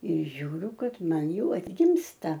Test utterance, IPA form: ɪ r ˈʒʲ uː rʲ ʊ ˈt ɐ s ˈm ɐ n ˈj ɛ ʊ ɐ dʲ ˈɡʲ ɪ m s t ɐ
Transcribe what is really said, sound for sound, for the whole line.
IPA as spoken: ɪ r ˈʒʲ uː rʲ ʊ ˈk ɐ t ˈm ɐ n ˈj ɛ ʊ ɐ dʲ ˈɡʲ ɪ m s t ɐ